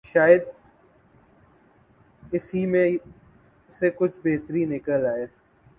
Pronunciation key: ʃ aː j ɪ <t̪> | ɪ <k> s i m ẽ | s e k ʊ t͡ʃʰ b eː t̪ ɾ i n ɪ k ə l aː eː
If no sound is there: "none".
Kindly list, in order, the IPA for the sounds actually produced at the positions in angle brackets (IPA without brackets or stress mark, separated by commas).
d̪, none